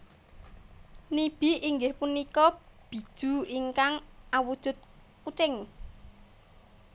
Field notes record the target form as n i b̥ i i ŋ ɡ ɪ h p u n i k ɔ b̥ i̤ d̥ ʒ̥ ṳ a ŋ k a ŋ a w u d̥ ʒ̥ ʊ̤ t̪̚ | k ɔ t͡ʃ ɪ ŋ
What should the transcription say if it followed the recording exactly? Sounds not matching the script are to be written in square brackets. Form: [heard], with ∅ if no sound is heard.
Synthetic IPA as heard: n i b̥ i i ŋ ɡ ɪ h p u n i k ɔ b̥ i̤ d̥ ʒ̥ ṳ [i] ŋ k a ŋ a w u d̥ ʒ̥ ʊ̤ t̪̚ | k [u] t͡ʃ ɪ ŋ